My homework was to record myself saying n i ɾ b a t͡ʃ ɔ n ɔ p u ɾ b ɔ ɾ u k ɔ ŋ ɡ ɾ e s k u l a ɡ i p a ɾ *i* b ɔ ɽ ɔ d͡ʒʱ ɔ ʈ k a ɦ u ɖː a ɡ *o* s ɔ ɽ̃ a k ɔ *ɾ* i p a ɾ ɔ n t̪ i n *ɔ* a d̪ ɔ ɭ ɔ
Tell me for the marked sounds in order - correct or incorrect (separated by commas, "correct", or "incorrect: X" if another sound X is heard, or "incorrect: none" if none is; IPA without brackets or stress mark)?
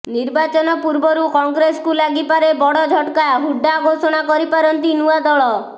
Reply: incorrect: e, correct, correct, incorrect: u